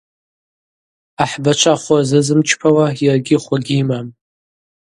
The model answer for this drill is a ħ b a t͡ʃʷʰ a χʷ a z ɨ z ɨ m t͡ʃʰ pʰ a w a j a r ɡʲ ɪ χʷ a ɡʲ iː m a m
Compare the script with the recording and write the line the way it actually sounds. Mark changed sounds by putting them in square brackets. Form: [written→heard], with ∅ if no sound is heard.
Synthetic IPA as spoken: a ħ b a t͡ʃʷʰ a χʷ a z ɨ z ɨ m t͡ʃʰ pʰ a w a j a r ɡʲ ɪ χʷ a ɡʲ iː m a m